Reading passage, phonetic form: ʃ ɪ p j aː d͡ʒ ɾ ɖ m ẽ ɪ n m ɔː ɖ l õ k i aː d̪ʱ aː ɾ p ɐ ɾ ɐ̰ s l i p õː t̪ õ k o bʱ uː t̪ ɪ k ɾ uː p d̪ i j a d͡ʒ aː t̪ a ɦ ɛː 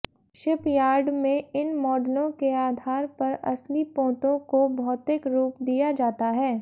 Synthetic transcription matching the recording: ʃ ɪ p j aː ɾ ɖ m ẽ ɪ n m ɔː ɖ l õ k e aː d̪ʱ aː ɾ p ɐ ɾ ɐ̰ s l i p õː t̪ õ k o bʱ ɔː t̪ ɪ k ɾ uː p d̪ i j a d͡ʒ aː t̪ a ɦ ɛː